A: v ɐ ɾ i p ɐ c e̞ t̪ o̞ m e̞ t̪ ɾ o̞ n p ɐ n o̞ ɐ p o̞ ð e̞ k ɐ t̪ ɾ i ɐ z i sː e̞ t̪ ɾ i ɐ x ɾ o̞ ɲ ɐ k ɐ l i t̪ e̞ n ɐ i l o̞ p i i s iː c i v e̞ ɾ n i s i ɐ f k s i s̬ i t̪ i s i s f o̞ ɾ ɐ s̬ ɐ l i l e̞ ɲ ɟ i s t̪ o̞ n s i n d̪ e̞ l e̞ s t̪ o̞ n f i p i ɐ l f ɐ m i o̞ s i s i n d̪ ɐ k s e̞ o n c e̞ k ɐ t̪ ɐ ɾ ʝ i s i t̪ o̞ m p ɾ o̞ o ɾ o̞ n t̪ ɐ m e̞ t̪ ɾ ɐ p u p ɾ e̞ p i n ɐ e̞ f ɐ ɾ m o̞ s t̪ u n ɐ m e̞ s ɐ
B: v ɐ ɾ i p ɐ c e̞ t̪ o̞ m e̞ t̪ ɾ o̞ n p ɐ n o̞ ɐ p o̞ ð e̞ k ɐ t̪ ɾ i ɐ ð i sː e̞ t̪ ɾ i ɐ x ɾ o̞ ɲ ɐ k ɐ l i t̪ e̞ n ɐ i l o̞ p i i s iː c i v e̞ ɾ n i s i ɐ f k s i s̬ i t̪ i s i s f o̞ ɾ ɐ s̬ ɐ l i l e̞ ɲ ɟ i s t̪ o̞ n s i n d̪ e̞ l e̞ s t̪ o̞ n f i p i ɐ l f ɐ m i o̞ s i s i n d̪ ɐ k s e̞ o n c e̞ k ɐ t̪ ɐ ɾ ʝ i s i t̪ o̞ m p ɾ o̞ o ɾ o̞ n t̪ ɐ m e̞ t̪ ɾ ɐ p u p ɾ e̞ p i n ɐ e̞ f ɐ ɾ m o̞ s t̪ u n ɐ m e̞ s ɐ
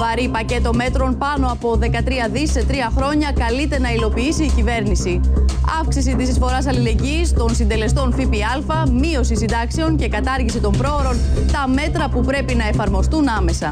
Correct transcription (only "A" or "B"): B